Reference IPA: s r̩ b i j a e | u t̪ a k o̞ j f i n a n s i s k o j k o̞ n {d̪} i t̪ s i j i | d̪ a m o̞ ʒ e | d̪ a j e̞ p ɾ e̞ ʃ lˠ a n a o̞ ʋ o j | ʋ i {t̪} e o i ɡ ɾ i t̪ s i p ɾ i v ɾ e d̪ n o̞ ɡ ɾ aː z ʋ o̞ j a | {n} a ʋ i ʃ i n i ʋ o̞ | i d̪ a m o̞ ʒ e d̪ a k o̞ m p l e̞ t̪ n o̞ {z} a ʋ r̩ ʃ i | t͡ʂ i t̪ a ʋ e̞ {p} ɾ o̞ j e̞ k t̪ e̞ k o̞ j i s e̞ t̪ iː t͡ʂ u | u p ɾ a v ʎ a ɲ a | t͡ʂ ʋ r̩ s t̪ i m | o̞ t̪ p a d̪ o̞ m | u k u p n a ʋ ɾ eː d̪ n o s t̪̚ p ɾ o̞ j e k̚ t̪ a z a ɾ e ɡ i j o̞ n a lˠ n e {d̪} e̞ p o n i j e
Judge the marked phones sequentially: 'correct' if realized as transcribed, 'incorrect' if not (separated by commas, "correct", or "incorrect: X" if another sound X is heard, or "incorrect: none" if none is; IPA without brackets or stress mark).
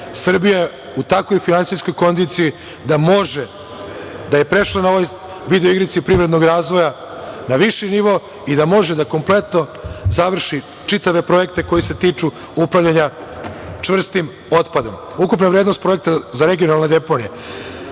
correct, incorrect: d̪, correct, correct, correct, correct